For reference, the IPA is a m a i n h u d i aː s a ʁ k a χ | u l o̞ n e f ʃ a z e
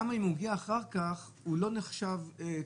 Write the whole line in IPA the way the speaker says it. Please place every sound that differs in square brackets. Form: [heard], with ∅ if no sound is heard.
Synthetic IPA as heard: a m a i [m] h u [ɡ] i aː [χ] a ʁ k a χ | u l o̞ n e [χ] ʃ a [v] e